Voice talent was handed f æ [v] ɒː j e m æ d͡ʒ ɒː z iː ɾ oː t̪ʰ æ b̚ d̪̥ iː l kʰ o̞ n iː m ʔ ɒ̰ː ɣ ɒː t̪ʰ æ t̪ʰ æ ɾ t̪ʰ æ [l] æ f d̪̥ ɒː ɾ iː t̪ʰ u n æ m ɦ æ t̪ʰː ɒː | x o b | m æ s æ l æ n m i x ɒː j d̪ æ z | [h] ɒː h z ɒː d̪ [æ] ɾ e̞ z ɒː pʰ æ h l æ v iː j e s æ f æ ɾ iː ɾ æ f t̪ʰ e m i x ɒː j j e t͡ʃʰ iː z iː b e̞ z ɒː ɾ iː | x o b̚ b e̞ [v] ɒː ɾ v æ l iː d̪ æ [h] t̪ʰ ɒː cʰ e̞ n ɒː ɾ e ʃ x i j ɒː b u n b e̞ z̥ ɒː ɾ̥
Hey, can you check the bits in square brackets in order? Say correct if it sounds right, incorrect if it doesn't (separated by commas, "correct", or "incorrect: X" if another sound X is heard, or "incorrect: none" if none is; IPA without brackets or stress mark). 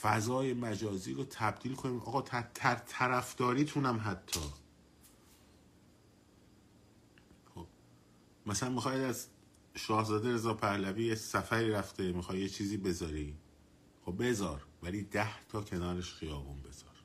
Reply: incorrect: z, incorrect: ɾ, incorrect: ʃ, incorrect: e, incorrect: z, correct